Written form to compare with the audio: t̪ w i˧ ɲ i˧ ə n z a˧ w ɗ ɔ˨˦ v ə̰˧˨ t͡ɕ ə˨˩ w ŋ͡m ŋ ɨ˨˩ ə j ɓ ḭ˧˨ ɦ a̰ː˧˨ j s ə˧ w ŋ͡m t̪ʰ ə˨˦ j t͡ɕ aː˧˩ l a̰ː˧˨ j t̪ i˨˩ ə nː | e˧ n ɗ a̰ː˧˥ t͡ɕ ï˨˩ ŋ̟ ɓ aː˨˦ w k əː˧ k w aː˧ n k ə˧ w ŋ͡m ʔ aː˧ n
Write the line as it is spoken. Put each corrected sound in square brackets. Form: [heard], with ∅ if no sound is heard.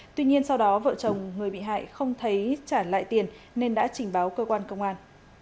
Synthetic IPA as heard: t̪ w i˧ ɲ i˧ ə n [s] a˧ w ɗ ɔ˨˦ v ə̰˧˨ t͡ɕ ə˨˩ w ŋ͡m ŋ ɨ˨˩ ə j ɓ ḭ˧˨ ɦ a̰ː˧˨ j [x] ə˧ w ŋ͡m t̪ʰ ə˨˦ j t͡ɕ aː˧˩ l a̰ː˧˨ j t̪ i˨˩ ə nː | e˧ n ɗ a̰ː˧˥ t͡ɕ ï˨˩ ŋ̟ ɓ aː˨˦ w k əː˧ k w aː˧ n k ə˧ w ŋ͡m ʔ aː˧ n